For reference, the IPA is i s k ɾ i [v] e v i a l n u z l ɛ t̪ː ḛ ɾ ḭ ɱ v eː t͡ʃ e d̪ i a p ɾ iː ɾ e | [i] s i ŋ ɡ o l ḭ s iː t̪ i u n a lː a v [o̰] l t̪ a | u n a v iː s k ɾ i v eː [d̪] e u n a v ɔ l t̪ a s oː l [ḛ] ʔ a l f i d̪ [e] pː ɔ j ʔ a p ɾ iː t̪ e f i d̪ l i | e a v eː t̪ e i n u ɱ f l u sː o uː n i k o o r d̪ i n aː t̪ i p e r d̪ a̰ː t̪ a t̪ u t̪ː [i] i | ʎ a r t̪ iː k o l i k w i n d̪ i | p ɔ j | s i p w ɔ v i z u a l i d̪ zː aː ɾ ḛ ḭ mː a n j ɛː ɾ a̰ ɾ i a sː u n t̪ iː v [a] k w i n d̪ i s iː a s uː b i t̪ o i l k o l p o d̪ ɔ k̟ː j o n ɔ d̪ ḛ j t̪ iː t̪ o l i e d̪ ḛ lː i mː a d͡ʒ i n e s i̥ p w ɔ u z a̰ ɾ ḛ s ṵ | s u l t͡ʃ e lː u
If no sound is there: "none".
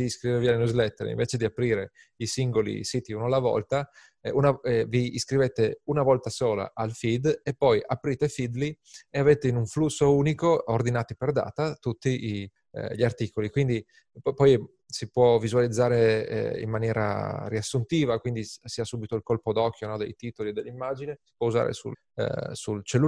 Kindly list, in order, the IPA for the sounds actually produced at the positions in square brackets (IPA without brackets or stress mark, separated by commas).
v, i, ɔ̰, t̪, a̰, e, i, a